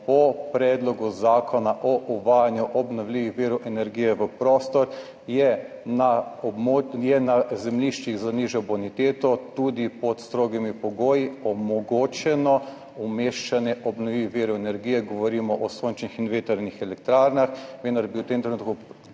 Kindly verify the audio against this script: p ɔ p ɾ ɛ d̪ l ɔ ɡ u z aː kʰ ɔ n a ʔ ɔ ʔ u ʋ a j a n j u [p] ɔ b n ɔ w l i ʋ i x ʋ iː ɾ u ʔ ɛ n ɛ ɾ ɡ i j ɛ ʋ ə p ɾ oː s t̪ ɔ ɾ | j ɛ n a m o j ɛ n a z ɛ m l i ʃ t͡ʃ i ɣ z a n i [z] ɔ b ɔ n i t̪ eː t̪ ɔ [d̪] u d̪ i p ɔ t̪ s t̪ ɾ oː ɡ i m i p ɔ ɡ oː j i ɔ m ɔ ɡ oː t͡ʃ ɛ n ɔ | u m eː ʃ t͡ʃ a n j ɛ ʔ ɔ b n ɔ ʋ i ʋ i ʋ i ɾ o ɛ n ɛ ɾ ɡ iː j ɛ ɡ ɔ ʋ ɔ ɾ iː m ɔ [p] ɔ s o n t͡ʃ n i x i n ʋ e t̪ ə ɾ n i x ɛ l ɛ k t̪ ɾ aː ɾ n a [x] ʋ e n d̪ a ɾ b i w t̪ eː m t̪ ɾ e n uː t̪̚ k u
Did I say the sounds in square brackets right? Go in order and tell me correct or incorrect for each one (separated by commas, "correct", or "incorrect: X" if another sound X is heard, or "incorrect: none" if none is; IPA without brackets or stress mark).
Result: incorrect: ʔ, incorrect: ʒ, incorrect: t̪, incorrect: ʔ, correct